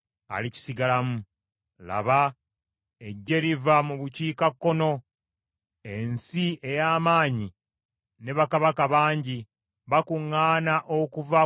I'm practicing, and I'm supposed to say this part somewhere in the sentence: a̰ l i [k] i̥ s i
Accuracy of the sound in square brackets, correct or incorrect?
incorrect